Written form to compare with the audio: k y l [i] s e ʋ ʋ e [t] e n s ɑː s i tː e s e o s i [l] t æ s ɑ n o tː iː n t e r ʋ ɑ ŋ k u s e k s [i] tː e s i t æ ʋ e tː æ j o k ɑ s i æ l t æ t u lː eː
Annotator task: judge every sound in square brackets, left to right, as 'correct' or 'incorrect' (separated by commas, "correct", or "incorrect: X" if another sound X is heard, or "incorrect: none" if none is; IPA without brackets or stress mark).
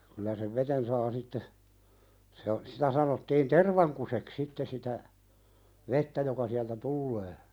incorrect: æ, correct, incorrect: none, correct